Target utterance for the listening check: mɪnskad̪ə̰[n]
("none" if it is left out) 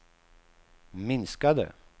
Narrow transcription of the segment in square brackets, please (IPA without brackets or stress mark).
none